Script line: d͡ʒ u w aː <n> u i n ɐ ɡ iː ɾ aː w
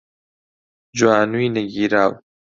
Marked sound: correct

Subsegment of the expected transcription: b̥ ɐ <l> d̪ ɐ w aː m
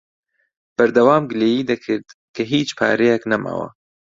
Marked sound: incorrect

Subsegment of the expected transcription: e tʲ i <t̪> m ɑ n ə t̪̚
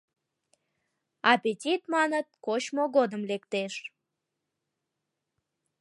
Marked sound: correct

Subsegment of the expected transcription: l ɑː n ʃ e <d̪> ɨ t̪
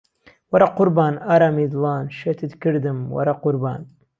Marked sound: incorrect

